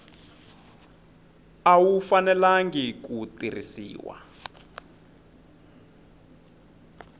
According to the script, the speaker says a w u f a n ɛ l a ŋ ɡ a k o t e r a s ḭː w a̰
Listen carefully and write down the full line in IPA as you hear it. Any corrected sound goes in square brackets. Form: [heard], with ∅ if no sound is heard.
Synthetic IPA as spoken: a w u f a n ɛ l a ŋ ɡ [i] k [u] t [i] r [i] s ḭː w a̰